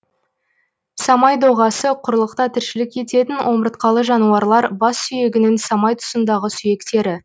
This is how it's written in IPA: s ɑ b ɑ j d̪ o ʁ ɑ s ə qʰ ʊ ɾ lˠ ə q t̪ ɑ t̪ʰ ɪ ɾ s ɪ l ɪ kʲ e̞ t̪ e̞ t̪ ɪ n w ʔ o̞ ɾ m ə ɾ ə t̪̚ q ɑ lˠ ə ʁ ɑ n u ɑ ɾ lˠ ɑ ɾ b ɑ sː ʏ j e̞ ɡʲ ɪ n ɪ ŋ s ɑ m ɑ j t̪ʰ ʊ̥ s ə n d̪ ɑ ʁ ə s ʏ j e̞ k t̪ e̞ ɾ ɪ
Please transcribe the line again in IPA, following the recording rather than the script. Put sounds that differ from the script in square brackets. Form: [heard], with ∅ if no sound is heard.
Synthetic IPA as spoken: s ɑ [m] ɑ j d̪ o ʁ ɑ s ə qʰ ʊ ɾ lˠ ə q t̪ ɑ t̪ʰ ɪ ɾ [ʃ] ɪ l ɪ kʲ e̞ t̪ e̞ t̪ ɪ n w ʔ o̞ [∅] m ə ɾ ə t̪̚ q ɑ lˠ ə [ʒ] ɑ n u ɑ ɾ lˠ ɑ ɾ b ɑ sː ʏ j e̞ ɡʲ ɪ n ɪ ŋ s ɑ m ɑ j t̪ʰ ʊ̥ s ə n d̪ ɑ ʁ ə s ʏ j e̞ k t̪ e̞ ɾ ɪ